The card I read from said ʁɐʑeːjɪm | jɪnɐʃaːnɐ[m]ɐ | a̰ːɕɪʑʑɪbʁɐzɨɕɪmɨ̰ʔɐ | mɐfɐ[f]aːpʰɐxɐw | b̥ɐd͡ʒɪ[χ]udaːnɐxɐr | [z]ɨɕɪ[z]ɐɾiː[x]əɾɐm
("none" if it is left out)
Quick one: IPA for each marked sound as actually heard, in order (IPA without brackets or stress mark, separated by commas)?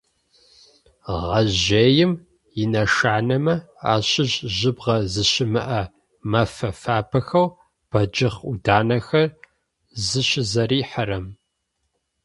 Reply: m, f, χ, z, z, ħ